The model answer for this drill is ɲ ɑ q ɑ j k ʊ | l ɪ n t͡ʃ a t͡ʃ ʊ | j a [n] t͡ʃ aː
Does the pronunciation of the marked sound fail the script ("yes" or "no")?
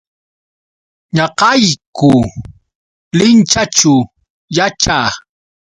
yes